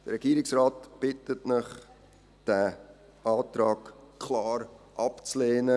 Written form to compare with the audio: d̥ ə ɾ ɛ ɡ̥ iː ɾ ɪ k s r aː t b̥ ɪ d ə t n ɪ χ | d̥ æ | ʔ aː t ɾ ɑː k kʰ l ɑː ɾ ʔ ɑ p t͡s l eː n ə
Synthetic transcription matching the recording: d̥ ə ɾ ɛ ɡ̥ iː ɾ ɪ k s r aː t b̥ ɪ t ə t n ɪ χ | d̥ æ | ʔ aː t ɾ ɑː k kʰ l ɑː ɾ ʔ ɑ p t͡s l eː n ə